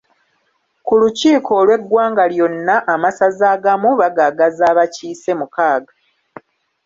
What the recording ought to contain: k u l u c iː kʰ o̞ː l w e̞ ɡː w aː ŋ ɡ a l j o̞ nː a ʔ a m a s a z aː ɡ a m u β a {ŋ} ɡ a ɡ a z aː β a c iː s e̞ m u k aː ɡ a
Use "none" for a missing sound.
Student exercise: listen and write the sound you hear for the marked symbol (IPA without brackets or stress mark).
none